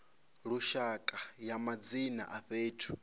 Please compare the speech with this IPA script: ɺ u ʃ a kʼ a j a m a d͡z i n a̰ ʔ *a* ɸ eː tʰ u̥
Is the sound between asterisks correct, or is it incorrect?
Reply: correct